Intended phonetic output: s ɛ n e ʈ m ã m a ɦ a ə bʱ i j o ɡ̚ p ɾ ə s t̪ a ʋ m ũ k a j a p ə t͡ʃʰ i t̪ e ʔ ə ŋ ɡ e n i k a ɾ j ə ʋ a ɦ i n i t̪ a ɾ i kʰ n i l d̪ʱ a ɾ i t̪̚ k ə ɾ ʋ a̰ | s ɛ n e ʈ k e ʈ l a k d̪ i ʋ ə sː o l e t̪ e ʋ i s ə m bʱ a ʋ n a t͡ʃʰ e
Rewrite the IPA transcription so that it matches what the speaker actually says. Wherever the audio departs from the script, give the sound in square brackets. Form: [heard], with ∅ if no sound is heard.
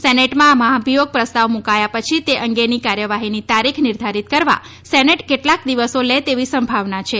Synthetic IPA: s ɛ n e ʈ m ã m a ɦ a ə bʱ i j o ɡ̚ p ɾ ə s t̪ a ʋ m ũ k a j a p ə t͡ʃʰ i t̪ e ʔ ə ŋ ɡ e n i k a ɾ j ə ʋ a ɦ i n i t̪ a ɾ i kʰ n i [ɾ] d̪ʱ a ɾ i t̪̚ k ə ɾ ʋ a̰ | s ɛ n e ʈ k e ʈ l a k d̪ i ʋ ə [s] o l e t̪ e ʋ i s ə m bʱ a ʋ n a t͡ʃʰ e